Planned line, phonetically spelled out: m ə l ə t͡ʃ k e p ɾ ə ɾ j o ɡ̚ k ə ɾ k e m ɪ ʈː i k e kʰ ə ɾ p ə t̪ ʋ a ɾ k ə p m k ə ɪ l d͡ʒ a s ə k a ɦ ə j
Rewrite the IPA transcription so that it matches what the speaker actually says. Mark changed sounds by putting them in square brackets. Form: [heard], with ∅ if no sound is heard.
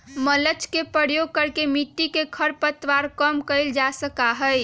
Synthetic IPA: m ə l ə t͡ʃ k e p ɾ ə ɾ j o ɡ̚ k ə ɾ k e m [i] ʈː i k e kʰ ə ɾ p ə t̪ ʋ a ɾ k ə [∅] m k ə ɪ l d͡ʒ a s ə k a ɦ ə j

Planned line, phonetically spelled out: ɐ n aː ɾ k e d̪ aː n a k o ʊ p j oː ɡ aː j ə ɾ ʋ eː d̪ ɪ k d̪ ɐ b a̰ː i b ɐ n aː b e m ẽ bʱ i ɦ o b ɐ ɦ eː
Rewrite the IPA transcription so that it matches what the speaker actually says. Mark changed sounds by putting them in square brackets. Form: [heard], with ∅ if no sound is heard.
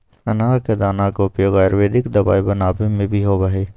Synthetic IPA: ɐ n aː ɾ k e d̪ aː n a k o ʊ p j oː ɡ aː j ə ɾ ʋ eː d̪ ɪ k d̪ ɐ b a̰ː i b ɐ n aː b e m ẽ bʱ i ɦ o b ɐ ɦ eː

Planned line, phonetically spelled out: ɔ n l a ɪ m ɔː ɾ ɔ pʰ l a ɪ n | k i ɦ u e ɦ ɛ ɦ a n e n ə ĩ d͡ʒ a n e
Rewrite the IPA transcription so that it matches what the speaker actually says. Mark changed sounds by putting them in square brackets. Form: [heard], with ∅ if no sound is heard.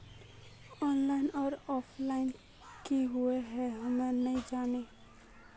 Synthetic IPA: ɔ n l a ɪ [n] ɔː ɾ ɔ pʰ l a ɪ n | k i ɦ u e ɦ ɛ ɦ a [m] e n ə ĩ d͡ʒ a n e

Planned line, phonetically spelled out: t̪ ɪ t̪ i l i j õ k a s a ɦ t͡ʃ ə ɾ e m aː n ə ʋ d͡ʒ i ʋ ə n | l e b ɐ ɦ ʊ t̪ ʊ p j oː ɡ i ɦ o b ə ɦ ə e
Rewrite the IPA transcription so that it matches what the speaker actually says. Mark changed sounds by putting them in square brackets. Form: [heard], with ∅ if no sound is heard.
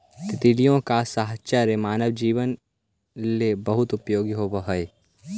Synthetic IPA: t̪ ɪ t̪ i l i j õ k a s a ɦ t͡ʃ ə ɾ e m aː n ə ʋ d͡ʒ [iː] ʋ ə n | l e b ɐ ɦ ʊ t̪ ʊ p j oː ɡ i ɦ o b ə ɦ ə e

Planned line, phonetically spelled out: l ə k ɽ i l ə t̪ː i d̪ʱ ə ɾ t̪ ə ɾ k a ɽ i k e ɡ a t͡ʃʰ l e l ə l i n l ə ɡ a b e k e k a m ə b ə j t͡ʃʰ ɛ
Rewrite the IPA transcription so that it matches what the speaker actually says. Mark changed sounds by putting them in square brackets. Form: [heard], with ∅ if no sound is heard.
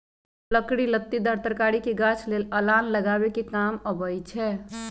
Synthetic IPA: l ə k ɽ i l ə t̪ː i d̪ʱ ə ɾ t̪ ə ɾ k a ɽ i k e ɡ a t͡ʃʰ l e l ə l [a] n l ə ɡ a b e k e k a m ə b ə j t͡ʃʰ ɛ

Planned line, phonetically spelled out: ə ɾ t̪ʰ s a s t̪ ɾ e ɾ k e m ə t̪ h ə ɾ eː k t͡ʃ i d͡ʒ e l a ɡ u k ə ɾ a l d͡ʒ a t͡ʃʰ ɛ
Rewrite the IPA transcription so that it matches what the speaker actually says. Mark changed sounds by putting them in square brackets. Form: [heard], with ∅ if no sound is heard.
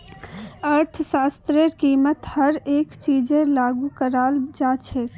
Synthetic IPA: ə ɾ t̪ʰ s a s t̪ ɾ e ɾ k [i] m ə t̪ h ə ɾ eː k t͡ʃ i d͡ʒ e l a ɡ u k ə ɾ a l d͡ʒ a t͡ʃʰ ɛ

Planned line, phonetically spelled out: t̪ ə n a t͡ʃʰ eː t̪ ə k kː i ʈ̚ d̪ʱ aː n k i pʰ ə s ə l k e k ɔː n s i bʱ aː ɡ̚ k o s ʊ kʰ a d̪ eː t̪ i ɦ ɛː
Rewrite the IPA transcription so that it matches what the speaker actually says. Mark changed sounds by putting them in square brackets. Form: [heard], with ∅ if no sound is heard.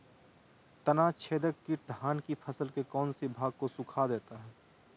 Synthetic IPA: t̪ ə n a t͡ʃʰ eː [d̪] ə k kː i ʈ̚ d̪ʱ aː n k i pʰ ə s ə l k e k ɔː n s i bʱ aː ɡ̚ k o s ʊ kʰ a d̪ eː t̪ [a] ɦ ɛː

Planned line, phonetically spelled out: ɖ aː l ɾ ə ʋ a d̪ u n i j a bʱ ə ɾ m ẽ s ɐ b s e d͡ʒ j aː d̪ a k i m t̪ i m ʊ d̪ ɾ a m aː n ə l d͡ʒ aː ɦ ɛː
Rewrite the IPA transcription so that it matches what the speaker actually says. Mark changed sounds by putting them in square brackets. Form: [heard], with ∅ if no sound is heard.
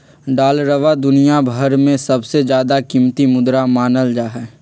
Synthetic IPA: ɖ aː l ɾ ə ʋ a d̪ [ʊ] n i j a bʱ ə ɾ m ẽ s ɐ b s e d͡ʒ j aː d̪ a k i m t̪ i m ʊ d̪ ɾ a m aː n ə l d͡ʒ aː ɦ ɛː

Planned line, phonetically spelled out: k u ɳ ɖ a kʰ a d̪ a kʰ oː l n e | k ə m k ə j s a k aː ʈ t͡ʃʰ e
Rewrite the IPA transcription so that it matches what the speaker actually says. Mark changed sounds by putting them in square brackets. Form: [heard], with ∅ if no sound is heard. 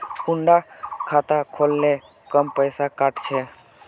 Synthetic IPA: k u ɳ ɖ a kʰ a [t̪] a kʰ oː l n e | k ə m [p] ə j s a k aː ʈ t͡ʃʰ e

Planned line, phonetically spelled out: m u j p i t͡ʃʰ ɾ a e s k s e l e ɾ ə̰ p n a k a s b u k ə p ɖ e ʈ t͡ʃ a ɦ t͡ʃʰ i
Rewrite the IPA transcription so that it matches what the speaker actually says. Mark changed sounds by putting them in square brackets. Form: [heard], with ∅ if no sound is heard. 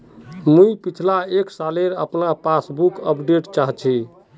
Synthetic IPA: m u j p i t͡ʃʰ [l] a e [∅] k s [a] l e ɾ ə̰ p n a [p] a s b u k ə p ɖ e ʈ t͡ʃ a ɦ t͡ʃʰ i

